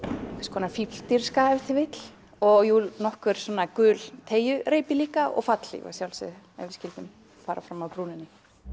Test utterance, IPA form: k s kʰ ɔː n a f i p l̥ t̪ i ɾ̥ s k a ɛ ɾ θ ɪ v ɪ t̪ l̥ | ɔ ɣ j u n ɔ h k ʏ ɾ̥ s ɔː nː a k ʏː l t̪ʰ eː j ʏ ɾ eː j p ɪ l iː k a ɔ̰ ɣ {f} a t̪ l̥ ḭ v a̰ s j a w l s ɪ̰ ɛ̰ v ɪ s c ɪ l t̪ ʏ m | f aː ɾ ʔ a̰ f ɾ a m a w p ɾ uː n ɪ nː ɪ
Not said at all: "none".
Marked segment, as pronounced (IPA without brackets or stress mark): f